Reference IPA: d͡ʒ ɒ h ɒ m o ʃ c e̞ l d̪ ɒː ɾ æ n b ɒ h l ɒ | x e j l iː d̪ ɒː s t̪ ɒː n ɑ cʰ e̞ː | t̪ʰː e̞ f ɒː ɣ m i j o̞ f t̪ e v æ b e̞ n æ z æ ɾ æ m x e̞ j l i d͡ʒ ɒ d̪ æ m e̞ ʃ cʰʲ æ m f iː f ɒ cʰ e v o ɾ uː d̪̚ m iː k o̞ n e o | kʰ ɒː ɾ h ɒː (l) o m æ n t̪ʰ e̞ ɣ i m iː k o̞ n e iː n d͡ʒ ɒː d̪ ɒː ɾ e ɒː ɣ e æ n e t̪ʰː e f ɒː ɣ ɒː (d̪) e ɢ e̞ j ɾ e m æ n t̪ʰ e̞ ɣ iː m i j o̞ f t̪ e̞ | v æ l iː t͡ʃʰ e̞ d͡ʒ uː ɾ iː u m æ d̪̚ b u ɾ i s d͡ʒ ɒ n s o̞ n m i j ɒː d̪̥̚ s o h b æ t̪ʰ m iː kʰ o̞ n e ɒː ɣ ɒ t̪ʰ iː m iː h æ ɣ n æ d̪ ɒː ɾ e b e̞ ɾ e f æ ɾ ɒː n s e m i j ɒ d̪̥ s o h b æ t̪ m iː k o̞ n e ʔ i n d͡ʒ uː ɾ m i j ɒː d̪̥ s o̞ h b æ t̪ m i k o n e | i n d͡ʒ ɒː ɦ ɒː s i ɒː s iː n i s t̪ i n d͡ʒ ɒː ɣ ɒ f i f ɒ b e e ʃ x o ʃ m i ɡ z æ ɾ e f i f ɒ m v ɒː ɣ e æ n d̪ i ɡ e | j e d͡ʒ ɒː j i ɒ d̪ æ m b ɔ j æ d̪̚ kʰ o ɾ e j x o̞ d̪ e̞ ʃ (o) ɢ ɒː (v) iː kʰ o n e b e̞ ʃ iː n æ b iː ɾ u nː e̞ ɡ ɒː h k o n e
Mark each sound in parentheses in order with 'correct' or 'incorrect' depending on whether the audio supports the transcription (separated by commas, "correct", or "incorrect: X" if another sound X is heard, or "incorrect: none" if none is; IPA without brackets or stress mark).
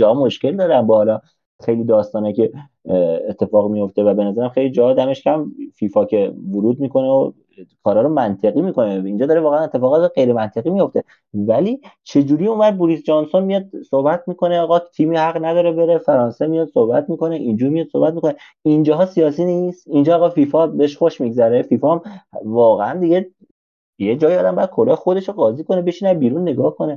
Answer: incorrect: ɾ, incorrect: t̪, correct, incorrect: z